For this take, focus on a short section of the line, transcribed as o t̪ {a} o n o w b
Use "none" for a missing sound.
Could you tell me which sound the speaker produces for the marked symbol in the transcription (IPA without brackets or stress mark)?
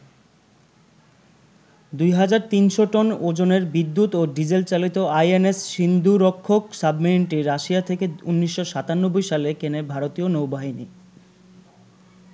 i